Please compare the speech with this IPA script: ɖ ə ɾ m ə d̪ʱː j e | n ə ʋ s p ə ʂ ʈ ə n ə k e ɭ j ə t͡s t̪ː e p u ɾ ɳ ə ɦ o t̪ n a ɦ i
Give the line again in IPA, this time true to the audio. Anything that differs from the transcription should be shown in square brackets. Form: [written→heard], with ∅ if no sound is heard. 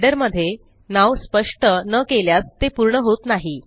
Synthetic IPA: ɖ ə ɾ m ə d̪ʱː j e | n [ə→a] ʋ s p ə ʂ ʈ ə n ə k e [ɭ→l] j [ə→a] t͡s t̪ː e p u ɾ ɳ ə ɦ o t̪ n a ɦ i